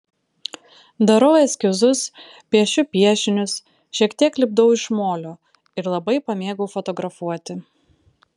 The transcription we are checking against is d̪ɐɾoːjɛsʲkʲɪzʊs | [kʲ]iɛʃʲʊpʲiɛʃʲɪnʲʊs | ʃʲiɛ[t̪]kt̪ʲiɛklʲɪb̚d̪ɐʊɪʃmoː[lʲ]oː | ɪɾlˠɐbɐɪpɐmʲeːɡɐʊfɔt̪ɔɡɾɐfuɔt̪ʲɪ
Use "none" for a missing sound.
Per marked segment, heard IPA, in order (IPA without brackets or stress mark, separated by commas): pʲ, none, lʲ